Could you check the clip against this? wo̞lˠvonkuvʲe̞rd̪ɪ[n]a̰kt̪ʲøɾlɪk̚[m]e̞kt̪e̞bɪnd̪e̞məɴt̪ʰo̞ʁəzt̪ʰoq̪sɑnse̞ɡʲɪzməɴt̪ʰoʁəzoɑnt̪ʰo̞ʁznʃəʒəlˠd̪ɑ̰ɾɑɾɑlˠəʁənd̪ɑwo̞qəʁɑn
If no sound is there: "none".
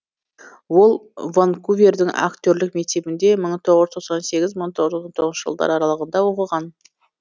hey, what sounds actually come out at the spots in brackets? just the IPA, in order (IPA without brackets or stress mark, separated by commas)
ŋ, m